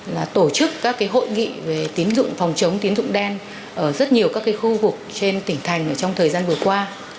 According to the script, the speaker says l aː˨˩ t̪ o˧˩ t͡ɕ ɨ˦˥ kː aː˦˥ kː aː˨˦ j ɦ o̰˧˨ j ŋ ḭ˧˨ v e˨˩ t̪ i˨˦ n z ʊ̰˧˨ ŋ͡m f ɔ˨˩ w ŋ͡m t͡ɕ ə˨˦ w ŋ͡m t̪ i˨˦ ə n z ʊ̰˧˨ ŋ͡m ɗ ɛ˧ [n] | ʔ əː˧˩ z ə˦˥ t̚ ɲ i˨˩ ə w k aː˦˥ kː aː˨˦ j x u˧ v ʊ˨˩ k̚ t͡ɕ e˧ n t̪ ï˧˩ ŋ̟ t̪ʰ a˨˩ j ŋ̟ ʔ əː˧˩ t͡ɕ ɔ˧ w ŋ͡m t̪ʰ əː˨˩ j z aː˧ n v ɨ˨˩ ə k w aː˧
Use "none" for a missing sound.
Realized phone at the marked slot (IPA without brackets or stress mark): n